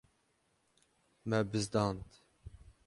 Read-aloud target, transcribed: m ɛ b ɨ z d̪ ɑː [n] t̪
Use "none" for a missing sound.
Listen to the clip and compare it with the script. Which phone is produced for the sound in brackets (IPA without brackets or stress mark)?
n